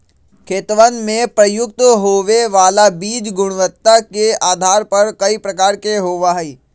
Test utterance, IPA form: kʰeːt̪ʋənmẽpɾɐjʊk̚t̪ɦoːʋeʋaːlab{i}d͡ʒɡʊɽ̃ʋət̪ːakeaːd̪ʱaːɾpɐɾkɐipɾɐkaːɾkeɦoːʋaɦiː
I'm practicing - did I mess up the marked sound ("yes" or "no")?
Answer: yes